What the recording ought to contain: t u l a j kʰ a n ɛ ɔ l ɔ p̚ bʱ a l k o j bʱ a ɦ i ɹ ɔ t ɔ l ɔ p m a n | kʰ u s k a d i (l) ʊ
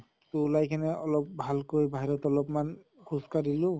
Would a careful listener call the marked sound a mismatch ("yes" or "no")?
no